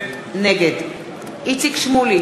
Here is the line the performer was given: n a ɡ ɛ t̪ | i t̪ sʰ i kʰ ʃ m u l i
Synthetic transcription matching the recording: n ɛ ɡ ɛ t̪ | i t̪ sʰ i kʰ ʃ m u l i